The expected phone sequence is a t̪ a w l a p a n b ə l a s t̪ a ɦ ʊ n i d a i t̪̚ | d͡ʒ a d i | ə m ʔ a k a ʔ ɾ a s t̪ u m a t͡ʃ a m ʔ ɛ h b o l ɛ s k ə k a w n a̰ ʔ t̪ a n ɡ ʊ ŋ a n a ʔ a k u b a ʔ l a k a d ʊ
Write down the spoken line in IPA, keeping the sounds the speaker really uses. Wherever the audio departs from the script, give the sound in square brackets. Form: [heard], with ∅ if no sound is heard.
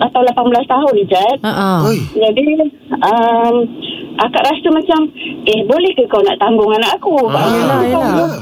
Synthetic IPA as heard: a t̪ a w l a p a n b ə l a s t̪ a ɦ ʊ n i [d͡ʒ] a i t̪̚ | d͡ʒ a d i | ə m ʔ a k a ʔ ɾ a s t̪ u m a t͡ʃ a m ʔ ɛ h b o l ɛ [h] k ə k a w n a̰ ʔ t̪ a [ŋ] ɡ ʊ ŋ a n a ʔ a k u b a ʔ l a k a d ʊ